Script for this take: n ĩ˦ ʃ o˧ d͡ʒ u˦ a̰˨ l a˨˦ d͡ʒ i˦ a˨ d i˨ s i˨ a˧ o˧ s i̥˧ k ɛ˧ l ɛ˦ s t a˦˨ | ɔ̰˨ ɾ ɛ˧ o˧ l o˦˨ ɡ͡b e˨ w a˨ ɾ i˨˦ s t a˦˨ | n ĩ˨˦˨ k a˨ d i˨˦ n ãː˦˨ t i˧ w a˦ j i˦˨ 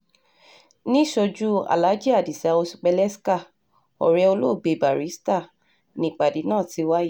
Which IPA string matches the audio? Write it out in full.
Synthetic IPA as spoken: n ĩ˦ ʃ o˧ d͡ʒ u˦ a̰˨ l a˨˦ d͡ʒ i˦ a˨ d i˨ s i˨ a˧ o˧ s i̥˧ k͡p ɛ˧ l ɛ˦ s k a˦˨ | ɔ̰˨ ɾ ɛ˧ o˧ l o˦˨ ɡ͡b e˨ b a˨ ɾ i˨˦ s t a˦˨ | n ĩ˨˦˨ k͡p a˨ d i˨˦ n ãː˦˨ t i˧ w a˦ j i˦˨

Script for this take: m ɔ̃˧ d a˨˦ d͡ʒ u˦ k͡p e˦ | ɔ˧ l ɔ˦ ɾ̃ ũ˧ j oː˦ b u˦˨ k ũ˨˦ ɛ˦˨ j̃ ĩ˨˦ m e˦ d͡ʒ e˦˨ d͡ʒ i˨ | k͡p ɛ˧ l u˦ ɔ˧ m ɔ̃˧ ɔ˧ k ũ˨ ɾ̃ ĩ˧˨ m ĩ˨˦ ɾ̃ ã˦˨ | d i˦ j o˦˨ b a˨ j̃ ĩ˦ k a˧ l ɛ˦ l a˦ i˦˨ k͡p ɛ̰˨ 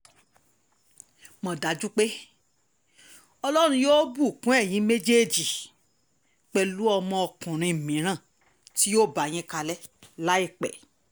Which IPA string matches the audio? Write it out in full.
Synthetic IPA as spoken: m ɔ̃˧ d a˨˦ d͡ʒ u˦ k͡p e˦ | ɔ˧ l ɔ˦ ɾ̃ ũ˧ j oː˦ b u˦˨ k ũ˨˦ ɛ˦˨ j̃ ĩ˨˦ m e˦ d͡ʒ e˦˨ d͡ʒ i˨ | k͡p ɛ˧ l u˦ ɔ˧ m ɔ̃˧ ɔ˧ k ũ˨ ɾ̃ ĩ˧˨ m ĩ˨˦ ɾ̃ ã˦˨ | t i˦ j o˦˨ b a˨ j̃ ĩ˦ k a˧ l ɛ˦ l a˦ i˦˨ k͡p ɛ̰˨

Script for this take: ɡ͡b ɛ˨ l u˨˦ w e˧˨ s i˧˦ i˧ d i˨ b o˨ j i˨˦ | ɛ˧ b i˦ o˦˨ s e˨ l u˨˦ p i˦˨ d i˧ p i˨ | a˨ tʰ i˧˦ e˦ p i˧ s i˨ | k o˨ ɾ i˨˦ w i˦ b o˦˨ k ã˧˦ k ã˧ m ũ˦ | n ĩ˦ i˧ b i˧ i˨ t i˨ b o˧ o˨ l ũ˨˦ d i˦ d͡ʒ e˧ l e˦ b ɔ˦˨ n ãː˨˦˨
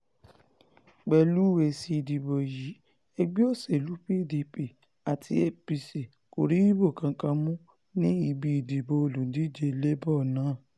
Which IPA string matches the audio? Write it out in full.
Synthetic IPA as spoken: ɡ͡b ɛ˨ l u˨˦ w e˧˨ s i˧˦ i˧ d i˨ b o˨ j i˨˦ | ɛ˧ ɡ͡b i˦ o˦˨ s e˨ l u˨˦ p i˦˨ d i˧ p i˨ | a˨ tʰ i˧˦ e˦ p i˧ s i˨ | k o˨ ɾ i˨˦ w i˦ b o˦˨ k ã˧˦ k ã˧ m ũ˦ | n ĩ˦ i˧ b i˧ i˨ d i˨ b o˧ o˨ l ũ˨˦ d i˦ d͡ʒ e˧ l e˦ b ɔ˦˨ n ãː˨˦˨

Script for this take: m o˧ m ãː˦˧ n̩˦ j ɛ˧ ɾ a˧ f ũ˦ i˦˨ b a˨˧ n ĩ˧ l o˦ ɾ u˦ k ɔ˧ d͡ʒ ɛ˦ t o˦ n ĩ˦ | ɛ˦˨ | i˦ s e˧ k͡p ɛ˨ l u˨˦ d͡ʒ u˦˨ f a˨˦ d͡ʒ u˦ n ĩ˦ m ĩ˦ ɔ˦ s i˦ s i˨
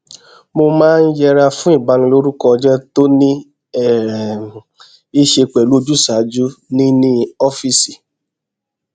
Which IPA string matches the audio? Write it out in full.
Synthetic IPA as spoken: m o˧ m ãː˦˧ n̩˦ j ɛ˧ ɾ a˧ f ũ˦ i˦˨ b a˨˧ n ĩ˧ l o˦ ɾ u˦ k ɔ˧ d͡ʒ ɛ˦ t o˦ n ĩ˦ | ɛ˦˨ | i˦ ʃ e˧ k͡p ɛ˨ l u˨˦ d͡ʒ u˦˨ s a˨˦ d͡ʒ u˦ n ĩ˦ n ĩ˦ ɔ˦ f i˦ s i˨

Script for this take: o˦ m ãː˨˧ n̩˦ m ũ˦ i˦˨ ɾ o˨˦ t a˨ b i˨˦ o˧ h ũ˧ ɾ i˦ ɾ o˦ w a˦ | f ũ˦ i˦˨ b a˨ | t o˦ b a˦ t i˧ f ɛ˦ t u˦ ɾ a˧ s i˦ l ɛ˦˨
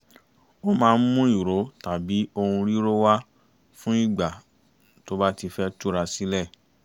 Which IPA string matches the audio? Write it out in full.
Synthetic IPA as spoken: o˦ m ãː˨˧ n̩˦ m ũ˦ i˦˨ ɾ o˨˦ t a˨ b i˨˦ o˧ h ũ˧ ɾ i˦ ɾ o˦ w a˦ | f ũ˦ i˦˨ ɡ͡b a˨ | t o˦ b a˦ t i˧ f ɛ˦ t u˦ ɾ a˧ s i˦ l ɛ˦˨

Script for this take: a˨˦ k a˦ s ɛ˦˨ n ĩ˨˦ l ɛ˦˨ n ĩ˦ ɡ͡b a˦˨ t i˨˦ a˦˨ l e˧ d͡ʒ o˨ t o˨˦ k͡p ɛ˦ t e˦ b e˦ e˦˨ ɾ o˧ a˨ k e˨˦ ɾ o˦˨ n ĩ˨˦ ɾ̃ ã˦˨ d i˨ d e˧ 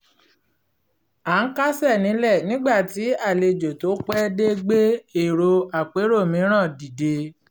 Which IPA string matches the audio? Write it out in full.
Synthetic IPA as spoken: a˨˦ k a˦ s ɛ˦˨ n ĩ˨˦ l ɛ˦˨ n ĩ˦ ɡ͡b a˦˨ t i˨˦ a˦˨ l e˧ d͡ʒ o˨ t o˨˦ k͡p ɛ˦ d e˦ ɡ͡b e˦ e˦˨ ɾ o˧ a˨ k͡p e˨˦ ɾ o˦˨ m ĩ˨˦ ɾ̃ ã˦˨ d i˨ d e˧

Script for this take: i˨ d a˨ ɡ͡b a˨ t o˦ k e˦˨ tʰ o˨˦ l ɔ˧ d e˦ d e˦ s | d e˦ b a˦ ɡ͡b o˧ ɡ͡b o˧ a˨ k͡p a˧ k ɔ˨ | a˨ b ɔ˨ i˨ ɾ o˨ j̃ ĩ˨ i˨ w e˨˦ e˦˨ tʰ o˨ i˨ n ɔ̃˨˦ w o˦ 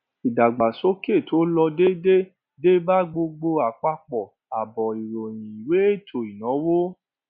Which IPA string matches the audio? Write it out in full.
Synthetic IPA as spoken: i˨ d a˨ ɡ͡b a˨ s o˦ k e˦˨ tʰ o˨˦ l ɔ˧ d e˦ d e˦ | d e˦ b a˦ ɡ͡b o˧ ɡ͡b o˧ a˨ k͡p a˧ k͡p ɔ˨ | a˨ b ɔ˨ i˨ ɾ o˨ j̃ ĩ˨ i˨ w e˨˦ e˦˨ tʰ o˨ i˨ n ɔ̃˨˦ w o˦

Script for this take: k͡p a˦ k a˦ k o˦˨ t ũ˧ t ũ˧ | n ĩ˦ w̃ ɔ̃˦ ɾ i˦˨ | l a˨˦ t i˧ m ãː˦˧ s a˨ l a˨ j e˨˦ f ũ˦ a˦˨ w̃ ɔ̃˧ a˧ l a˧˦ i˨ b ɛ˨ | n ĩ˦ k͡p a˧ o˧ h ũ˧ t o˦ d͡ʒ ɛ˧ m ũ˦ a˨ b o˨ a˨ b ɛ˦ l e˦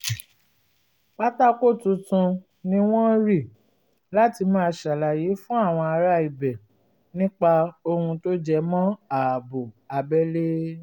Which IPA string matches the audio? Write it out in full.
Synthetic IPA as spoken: k͡p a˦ t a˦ k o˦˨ t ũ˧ t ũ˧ | n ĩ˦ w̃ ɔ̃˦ ɾ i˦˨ | l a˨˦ t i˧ m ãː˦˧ ʃ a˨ l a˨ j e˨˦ f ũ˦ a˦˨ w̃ ɔ̃˧ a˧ ɾ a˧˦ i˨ b ɛ˨ | n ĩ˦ k͡p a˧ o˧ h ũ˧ t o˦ d͡ʒ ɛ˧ m ɔ̃˦ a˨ b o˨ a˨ b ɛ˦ l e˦

